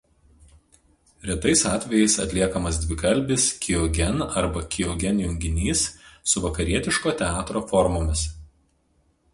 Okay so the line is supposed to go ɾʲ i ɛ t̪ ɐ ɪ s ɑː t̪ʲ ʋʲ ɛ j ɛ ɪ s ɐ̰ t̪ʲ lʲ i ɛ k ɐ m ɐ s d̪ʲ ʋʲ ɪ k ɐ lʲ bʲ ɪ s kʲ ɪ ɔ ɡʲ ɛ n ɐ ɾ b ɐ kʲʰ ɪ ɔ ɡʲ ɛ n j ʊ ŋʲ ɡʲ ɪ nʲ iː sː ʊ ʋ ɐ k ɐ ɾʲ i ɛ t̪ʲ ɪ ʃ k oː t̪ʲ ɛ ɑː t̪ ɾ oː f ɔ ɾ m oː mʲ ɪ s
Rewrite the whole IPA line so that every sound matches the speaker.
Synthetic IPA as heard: ɾʲ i ɛ t̪ ɐ ɪ s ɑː t̪ʲ ʋʲ ɛ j ɛ ɪ s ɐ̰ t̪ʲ lʲ i ɛ k ɐ m ɐ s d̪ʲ ʋʲ ɪ k ɐ lʲ bʲ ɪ s kʲ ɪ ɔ ɡʲ ɛ n ɐ ɾ b ɐ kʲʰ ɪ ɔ ɡʲ ɛ n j ʊ ŋʲ ɡʲ ɪ nʲ iː sː ʊ ʋ ɐ k ɐ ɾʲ i ɛ t̪ʲ ɪ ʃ k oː t̪ʲ ɛ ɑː t̪ ɾ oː f ɔ ɾ m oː mʲ ɪ s